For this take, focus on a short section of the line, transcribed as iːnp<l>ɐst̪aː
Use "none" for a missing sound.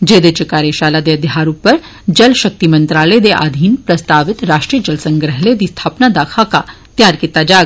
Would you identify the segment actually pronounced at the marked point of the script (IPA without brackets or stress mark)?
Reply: ɾ